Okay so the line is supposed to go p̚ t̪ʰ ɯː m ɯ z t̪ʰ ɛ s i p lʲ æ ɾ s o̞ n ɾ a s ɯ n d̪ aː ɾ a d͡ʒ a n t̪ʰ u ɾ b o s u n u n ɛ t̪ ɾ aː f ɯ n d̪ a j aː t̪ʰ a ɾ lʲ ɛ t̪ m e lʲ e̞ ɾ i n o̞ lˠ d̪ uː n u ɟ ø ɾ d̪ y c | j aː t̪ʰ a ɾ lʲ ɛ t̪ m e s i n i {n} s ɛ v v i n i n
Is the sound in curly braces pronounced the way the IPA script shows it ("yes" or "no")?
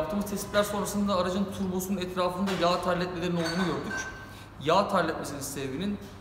yes